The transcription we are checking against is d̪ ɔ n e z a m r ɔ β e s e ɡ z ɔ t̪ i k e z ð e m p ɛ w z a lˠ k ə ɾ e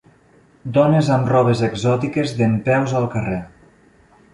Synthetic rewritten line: d̪ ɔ n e z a m r ɔ β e z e ɡ z ɔ t̪ i k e z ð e m p ɛ w z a lˠ k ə r e